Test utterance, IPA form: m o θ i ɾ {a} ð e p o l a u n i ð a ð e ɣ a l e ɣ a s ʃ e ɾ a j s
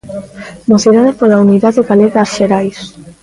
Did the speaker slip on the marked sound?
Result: no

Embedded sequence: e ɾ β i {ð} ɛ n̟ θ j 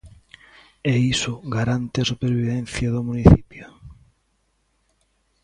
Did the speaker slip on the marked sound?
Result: no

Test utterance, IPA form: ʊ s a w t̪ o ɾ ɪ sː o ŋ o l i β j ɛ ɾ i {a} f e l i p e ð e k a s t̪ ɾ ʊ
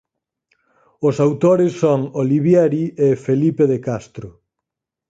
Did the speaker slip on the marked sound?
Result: yes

